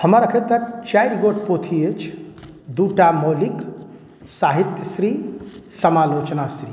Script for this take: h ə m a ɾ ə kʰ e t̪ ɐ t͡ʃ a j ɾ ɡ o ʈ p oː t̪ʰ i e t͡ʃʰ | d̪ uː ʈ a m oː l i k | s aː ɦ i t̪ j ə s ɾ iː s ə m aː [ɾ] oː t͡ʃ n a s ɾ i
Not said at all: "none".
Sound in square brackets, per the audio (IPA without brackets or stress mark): l